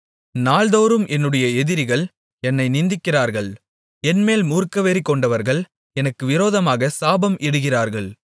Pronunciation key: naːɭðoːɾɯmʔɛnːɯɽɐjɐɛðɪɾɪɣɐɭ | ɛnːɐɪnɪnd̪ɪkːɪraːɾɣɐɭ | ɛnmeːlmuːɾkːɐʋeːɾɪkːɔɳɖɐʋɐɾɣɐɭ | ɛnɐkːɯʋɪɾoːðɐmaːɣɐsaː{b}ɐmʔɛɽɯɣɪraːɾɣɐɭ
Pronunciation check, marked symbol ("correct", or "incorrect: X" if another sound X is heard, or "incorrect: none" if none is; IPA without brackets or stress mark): correct